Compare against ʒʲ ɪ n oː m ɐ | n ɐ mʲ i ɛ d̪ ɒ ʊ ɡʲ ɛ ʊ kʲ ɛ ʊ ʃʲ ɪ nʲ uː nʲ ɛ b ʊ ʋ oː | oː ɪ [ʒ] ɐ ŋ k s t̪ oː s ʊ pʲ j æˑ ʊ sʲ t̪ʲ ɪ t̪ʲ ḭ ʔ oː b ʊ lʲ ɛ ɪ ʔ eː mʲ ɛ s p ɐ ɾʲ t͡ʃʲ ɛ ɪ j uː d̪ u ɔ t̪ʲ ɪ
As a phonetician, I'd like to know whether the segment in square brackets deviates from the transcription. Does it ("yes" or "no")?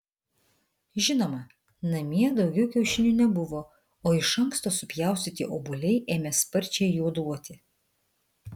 yes